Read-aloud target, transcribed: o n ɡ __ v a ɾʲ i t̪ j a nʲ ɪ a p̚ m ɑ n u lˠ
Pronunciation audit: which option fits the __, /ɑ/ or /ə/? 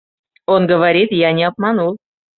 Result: ə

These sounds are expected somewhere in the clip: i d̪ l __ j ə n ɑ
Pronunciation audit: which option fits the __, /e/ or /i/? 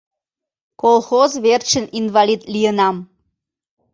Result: i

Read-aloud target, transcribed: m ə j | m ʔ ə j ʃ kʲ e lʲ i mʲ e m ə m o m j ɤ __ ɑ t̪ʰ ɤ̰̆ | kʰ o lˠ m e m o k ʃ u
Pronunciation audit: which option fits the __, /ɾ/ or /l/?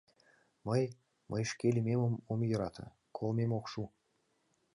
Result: ɾ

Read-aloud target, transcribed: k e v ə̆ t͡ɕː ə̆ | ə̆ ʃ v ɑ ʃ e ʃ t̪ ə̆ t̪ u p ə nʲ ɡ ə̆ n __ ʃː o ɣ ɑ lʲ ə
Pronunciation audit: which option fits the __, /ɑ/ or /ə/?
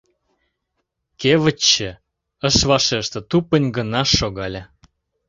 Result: ɑ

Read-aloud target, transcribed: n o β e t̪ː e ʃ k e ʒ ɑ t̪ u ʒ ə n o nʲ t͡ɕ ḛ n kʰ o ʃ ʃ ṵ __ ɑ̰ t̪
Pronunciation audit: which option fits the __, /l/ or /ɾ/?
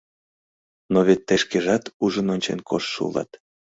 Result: l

